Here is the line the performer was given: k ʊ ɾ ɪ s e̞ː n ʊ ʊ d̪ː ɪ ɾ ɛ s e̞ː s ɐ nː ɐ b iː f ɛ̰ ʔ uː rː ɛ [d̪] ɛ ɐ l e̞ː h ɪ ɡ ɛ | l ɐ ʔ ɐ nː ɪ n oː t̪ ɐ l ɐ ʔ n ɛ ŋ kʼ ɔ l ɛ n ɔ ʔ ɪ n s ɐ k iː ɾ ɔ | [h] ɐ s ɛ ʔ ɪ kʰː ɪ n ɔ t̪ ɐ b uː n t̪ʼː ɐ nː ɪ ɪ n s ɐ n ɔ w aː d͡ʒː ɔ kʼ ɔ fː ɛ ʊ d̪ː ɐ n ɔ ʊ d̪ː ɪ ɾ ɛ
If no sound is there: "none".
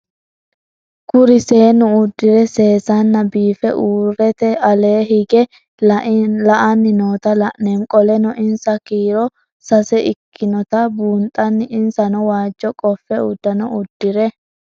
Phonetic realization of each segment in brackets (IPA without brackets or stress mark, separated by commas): t̪, s